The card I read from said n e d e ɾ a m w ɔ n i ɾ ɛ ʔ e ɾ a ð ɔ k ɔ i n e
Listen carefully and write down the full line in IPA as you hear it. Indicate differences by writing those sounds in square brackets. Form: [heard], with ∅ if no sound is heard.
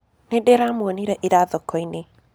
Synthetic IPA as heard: n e d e ɾ a m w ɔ n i ɾ ɛ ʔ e ɾ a ð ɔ k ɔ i n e